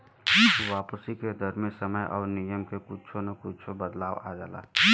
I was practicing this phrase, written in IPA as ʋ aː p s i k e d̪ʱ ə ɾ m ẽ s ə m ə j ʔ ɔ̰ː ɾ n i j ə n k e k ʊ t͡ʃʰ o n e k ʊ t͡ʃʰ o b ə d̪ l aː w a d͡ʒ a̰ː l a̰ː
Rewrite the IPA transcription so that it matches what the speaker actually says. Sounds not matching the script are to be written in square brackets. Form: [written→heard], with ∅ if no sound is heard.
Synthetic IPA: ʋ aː p s i k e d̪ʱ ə ɾ m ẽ s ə m ə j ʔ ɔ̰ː ɾ n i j ə [n→m] k e k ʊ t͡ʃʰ o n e k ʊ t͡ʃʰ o b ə d̪ l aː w a d͡ʒ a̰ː l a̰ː